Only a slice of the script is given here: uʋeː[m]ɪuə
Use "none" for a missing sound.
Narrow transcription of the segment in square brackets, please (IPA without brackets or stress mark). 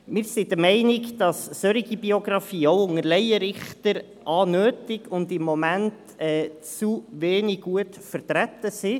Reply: n